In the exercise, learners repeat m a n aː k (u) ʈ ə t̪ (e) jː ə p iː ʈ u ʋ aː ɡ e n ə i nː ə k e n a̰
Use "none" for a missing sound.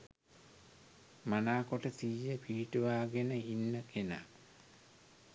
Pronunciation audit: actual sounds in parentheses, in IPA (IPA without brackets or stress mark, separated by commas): o, i